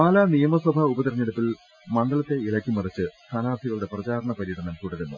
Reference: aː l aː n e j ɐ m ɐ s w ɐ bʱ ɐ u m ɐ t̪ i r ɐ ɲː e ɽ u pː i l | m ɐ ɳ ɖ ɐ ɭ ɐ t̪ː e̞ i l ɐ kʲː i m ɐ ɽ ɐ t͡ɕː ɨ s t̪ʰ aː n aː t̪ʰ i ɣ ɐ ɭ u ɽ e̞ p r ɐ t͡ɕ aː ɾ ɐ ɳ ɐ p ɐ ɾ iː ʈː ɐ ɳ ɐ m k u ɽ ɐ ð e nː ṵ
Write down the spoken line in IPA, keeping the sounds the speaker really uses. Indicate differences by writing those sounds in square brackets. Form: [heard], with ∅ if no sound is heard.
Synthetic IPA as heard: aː l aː n [i] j ɐ m ɐ s w ɐ bʱ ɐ u [b] ɐ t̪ i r ɐ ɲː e ɽ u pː i l | m ɐ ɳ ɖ ɐ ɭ ɐ t̪ː e̞ i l ɐ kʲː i m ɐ [r] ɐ t͡ɕː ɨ s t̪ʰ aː n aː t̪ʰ i ɣ ɐ ɭ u ɽ e̞ p r ɐ t͡ɕ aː ɾ ɐ ɳ ɐ p ɐ ɾ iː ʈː ɐ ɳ ɐ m k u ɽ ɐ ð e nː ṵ